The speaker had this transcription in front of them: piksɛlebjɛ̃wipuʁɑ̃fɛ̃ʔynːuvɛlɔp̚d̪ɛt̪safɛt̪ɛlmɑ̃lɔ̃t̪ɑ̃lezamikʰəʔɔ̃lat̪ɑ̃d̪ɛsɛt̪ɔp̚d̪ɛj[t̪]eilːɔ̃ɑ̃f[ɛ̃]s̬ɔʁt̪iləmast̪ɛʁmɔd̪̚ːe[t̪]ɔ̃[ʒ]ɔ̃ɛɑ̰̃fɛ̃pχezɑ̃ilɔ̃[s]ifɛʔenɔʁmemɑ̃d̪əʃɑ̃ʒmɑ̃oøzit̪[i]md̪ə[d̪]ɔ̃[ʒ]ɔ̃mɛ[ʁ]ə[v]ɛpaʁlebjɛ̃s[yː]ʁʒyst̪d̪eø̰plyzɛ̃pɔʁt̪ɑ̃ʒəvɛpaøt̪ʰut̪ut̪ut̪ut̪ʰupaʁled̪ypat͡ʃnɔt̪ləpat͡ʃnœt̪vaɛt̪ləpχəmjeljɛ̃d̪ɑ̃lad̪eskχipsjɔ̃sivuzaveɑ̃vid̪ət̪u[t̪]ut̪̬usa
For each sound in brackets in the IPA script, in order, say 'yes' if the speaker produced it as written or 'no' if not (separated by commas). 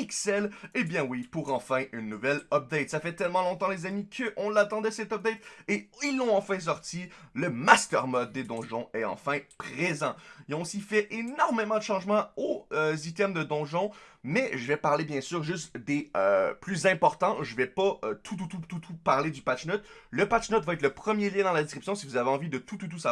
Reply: yes, yes, no, yes, yes, no, yes, yes, no, yes, yes, yes